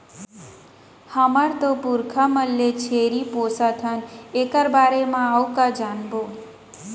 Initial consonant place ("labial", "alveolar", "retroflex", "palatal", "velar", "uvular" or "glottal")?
glottal